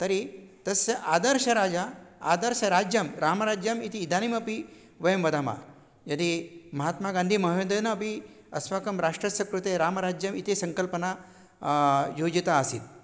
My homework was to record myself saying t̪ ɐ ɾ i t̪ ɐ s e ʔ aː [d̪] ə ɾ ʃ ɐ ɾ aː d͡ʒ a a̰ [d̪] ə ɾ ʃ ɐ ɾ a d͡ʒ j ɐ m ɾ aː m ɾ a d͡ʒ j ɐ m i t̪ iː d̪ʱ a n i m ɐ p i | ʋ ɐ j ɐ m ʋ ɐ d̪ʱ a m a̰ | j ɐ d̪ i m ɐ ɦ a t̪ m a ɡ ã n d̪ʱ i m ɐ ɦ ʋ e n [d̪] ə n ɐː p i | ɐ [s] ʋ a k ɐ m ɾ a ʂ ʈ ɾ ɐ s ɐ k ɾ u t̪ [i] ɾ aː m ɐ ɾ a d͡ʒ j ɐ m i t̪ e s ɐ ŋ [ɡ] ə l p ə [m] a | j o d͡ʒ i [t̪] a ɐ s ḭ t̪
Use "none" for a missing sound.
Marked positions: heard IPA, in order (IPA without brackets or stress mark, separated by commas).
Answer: d̪, d̪, d̪, s, e, k, n, t̪